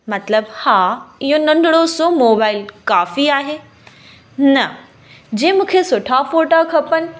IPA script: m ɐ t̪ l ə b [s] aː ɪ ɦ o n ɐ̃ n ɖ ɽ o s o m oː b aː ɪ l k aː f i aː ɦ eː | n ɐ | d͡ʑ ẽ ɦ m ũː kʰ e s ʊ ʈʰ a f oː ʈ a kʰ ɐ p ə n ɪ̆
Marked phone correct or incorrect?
incorrect: h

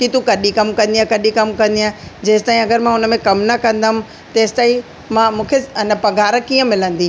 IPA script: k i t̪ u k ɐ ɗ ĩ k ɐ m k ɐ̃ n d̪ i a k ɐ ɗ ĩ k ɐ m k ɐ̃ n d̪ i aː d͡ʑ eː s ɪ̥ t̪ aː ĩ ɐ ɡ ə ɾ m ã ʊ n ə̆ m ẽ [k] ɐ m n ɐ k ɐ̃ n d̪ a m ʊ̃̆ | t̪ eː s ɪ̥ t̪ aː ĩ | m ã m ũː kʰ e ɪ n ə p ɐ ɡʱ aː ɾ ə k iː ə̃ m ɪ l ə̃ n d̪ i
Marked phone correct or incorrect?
correct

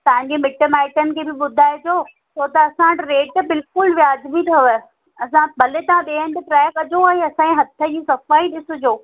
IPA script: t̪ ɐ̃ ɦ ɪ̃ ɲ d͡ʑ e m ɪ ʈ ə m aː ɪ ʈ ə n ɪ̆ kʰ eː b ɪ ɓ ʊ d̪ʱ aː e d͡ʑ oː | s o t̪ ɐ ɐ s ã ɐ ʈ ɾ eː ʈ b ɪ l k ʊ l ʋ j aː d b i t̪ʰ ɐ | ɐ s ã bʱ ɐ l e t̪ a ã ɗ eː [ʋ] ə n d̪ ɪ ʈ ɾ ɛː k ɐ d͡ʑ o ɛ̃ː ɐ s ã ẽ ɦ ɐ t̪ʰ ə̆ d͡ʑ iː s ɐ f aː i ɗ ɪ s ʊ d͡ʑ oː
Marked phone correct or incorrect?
incorrect: none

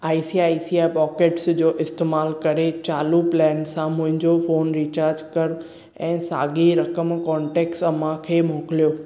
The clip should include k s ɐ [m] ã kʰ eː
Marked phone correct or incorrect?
correct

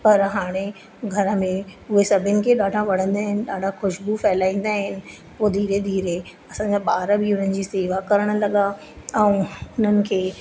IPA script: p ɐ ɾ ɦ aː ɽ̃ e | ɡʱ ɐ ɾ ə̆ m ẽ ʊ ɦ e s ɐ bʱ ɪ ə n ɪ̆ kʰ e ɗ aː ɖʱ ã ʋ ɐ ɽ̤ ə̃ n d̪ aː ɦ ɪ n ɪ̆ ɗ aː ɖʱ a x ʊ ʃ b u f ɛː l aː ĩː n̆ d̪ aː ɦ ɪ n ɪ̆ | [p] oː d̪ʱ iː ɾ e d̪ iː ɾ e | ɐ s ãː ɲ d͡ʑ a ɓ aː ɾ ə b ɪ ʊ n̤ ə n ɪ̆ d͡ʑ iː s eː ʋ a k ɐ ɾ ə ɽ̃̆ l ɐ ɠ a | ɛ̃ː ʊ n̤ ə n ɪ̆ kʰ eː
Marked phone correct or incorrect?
correct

